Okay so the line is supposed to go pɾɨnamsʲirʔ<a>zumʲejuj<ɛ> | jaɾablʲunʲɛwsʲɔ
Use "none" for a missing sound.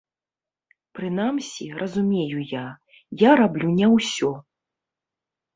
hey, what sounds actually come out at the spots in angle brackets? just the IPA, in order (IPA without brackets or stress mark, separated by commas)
ɐ, a